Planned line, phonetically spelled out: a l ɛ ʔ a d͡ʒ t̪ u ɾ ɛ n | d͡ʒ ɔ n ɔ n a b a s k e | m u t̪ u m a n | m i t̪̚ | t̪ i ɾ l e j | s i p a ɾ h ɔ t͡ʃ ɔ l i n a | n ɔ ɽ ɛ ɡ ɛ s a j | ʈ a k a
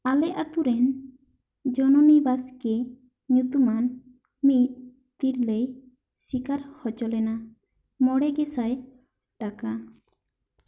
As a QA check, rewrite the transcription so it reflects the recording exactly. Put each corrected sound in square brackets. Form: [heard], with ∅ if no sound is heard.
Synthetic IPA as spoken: a l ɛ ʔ a [∅] t̪ u ɾ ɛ n | d͡ʒ ɔ n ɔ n [i] b a s k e | [ɲ] u t̪ u m a n | m i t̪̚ | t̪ i ɾ l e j | s i [k] a ɾ h ɔ t͡ʃ ɔ l [ɛ] n a | [m] ɔ ɽ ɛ ɡ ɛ s a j | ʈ a k a